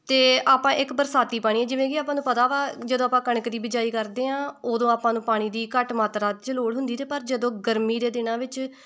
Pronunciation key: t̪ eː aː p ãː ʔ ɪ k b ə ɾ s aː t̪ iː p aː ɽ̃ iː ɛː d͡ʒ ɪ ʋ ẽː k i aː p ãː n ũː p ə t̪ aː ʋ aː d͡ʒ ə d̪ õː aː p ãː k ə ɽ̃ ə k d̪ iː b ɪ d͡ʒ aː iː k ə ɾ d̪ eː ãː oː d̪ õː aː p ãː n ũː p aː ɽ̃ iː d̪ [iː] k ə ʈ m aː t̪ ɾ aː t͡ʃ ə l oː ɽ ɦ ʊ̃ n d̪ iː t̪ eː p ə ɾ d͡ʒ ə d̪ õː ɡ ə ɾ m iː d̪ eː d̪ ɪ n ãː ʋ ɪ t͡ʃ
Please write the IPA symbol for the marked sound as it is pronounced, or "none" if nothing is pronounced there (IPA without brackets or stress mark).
iː